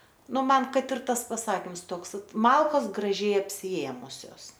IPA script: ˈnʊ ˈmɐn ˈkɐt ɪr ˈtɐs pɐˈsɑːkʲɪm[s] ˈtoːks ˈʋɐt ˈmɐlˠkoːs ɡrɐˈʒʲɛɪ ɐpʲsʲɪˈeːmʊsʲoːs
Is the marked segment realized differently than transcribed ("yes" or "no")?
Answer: no